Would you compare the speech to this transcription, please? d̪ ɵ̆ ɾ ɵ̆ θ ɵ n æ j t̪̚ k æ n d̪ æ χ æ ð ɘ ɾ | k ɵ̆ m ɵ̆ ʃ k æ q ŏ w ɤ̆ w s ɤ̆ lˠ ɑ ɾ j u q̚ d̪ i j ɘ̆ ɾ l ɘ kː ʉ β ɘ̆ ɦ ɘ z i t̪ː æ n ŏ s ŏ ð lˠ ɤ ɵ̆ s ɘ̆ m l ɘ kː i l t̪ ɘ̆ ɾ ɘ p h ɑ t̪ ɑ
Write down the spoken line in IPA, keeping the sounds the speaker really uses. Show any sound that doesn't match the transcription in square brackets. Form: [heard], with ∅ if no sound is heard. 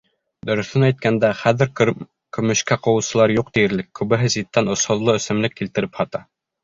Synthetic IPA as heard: d̪ ɵ̆ ɾ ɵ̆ θ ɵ n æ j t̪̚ k æ n d̪ æ χ æ ð ɘ ɾ | k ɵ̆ m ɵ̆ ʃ k æ q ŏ w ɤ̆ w s ɤ̆ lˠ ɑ ɾ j u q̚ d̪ i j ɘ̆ ɾ l ɘ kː ʉ β ɘ̆ ɦ ɘ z i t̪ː æ n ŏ s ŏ ð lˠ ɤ ɵ̆ s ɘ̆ m l ɘ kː i l t̪ ɘ̆ ɾ ɘ p h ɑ t̪ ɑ